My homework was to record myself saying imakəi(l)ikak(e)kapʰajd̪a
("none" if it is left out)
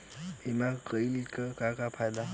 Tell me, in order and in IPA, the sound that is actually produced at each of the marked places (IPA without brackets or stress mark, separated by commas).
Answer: l, a